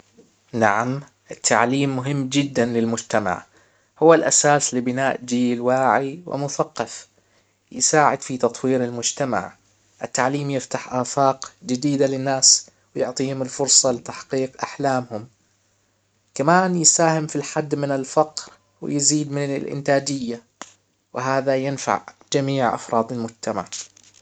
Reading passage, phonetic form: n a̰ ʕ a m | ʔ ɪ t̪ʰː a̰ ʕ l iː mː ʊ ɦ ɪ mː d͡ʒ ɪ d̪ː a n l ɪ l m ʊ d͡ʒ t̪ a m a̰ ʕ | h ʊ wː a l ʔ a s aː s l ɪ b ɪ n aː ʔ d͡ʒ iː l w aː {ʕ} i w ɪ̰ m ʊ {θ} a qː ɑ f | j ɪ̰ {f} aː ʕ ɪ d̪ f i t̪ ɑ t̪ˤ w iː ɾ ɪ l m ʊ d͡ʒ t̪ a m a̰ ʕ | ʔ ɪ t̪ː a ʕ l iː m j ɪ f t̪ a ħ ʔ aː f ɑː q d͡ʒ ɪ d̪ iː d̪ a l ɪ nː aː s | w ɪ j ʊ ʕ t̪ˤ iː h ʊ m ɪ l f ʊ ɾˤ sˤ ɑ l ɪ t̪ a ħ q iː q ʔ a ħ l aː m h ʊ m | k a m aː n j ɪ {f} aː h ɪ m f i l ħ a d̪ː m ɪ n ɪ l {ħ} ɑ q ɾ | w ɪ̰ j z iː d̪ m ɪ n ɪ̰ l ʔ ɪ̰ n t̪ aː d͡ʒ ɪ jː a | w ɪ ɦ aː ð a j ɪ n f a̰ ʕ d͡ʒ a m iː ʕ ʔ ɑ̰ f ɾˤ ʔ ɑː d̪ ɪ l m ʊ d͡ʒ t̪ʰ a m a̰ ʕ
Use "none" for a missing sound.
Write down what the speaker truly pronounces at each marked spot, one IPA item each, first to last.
ʕ, θ, s, s, f

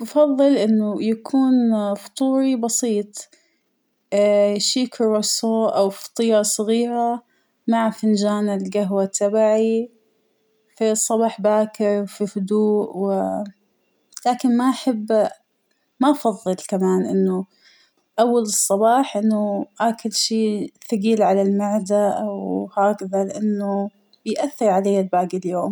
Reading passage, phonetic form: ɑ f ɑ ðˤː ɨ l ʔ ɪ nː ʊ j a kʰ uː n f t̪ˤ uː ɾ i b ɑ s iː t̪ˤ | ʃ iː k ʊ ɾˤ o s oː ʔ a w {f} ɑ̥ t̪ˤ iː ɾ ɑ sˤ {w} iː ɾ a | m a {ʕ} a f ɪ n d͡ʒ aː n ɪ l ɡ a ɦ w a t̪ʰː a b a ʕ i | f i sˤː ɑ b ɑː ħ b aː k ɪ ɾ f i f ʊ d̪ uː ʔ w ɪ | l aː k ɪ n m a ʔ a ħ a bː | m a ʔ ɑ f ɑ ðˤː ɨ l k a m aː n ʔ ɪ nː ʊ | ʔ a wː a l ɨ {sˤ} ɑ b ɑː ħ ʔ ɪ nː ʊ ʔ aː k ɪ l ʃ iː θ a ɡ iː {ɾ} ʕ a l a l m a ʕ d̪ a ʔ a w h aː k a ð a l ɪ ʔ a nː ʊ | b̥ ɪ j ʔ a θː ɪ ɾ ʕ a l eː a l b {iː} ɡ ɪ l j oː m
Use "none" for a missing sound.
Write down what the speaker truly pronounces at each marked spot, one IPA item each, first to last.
f, ɣ, ʕ, sˤː, l, aː

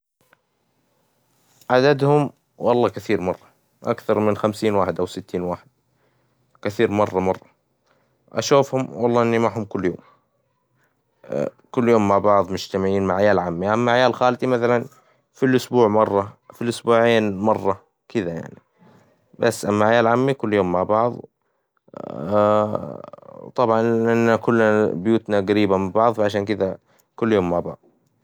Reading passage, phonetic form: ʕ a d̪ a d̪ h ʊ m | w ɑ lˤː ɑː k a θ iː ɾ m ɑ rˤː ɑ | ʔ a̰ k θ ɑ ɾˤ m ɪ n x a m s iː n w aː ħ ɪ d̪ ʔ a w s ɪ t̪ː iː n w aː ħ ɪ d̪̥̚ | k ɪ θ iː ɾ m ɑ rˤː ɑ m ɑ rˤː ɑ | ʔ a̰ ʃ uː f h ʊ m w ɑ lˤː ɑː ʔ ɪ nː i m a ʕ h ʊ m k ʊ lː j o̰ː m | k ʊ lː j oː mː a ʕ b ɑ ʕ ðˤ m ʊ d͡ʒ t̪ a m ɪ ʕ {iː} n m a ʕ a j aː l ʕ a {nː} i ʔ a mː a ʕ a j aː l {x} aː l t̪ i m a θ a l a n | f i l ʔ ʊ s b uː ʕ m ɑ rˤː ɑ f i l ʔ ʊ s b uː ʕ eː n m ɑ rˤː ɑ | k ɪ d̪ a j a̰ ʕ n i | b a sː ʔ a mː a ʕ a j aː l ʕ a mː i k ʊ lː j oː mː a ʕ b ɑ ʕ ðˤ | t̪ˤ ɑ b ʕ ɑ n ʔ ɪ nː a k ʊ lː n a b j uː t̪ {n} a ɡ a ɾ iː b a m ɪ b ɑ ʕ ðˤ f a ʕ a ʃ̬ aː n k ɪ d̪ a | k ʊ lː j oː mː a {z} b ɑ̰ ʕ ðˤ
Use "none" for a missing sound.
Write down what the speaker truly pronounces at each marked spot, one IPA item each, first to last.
iː, mː, x, n, ʕ

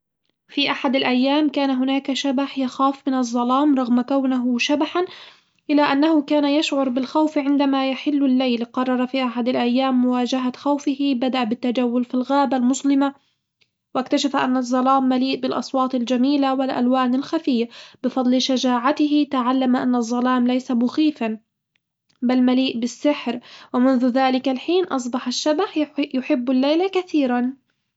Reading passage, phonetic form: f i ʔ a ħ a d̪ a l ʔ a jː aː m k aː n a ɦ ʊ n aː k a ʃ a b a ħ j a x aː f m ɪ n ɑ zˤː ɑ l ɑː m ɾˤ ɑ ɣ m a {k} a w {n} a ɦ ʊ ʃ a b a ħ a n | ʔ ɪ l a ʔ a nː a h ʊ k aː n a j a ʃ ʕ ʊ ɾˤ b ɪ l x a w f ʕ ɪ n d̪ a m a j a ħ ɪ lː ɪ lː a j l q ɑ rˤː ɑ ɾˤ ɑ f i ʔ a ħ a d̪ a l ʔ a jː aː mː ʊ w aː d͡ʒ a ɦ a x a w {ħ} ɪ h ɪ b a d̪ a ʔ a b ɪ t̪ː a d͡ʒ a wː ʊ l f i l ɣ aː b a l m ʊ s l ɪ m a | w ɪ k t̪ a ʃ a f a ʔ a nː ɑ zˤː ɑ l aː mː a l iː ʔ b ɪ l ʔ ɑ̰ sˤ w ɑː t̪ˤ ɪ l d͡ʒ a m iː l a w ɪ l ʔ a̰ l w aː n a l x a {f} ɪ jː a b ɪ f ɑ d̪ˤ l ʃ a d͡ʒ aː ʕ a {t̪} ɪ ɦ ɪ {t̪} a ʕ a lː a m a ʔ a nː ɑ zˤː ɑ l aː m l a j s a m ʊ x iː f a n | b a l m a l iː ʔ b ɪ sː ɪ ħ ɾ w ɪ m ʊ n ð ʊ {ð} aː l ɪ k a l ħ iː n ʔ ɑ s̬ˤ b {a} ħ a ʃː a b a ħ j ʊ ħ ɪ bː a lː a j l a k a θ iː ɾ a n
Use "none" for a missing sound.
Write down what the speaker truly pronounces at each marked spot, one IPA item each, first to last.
k, n, f, f, t̪, t̪, ð, ɑ

